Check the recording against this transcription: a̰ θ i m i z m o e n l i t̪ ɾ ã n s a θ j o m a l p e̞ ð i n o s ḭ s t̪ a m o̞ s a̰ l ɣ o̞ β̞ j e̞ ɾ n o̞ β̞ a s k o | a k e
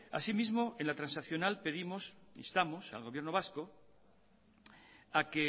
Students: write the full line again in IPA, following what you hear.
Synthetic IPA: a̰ s i m i z m o e n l a t̪ ɾ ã n s a θ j o n a l p e̞ ð i m o s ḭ s t̪ a m o̞ s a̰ l ɣ o̞ β̞ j e̞ ɾ n o̞ β̞ a s k o | a k e